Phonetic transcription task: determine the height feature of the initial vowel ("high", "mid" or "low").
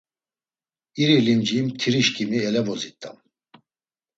high